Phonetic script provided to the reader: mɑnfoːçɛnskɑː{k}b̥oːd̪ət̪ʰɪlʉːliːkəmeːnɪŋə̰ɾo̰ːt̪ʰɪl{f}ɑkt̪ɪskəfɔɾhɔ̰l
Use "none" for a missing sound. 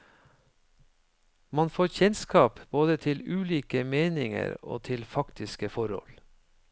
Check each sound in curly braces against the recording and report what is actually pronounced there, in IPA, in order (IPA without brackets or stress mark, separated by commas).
p, f